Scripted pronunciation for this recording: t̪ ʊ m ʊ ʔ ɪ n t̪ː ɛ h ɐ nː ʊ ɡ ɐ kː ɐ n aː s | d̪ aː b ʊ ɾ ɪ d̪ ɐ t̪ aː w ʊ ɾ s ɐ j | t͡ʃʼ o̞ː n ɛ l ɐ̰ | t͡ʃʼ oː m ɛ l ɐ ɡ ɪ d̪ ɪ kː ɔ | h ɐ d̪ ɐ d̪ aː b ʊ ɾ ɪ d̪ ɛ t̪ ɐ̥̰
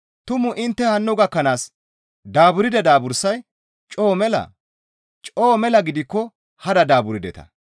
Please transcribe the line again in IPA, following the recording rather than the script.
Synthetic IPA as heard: t̪ ʊ m ʊ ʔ ɪ n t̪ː ɛ h ɐ nː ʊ ɡ ɐ kː ɐ n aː s | d̪ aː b ʊ ɾ ɪ d̪ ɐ d̪ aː b ʊ ɾ s ɐ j | t͡ʃʼ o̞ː m ɛ l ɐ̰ | t͡ʃʼ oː m ɛ l ɐ ɡ ɪ d̪ ɪ kː ɔ | h ɐ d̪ ɐ d̪ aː b ʊ ɾ ɪ d̪ ɛ t̪ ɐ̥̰